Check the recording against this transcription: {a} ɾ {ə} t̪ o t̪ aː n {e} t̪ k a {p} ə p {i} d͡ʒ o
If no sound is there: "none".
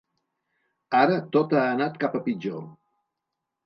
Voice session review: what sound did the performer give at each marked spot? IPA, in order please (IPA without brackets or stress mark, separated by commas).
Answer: a, ə, a, p, i